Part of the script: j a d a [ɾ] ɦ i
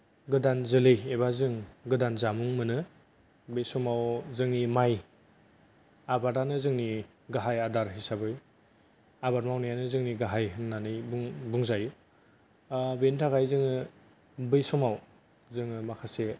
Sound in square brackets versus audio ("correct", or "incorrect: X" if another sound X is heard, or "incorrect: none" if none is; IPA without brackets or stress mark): correct